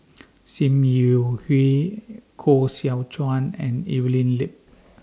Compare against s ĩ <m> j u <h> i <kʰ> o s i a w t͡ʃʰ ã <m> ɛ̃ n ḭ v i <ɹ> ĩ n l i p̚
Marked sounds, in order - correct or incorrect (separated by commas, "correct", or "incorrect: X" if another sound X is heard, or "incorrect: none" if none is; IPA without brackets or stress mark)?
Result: correct, correct, correct, incorrect: n, incorrect: l